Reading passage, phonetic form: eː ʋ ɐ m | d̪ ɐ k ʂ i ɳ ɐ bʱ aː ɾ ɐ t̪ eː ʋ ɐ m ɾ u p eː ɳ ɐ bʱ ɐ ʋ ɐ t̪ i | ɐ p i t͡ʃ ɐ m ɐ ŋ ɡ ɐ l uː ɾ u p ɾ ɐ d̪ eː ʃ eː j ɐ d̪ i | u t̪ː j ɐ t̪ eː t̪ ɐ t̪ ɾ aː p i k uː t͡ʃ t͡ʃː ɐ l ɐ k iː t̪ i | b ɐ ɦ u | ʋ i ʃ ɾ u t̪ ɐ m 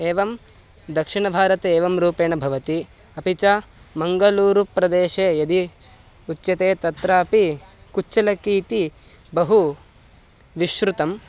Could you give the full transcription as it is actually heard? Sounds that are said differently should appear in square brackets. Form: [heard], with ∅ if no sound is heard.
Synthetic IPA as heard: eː ʋ ɐ m | d̪ ɐ k ʂ i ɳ ɐ bʱ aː ɾ ɐ t̪ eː ʋ ɐ m ɾ [uː] p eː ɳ ɐ bʱ ɐ ʋ ɐ t̪ i | ɐ p i t͡ʃ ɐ m ɐ ŋ ɡ ɐ l uː ɾ u p ɾ ɐ d̪ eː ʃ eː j ɐ d̪ i | u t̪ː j ɐ t̪ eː t̪ ɐ t̪ ɾ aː p i k [u] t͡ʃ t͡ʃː ɐ l ɐ k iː t̪ i | b ɐ ɦ u | ʋ i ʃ ɾ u t̪ ɐ m